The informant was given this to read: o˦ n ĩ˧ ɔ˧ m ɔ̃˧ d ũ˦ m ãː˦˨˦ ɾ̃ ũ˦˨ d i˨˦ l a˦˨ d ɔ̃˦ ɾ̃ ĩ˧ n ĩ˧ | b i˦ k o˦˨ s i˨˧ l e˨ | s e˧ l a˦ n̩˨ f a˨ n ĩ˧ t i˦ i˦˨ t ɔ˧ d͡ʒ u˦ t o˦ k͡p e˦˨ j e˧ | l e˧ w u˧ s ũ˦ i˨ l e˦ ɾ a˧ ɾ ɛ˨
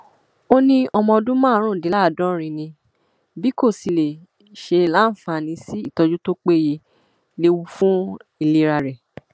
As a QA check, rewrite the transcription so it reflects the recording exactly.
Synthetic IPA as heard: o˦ n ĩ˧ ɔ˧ m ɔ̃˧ d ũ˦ m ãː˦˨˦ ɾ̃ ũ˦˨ d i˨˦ l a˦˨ d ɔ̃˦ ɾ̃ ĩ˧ n ĩ˧ | b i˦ k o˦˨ s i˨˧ l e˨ | ʃ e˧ l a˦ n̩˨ f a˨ n ĩ˧ s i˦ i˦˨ t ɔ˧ d͡ʒ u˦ t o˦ k͡p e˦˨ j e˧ | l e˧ w u˧ f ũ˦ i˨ l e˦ ɾ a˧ ɾ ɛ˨